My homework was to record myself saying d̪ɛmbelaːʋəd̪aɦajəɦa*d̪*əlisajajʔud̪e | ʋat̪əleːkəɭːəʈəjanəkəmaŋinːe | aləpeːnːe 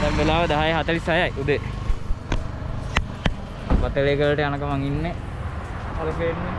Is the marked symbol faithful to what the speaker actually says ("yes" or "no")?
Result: no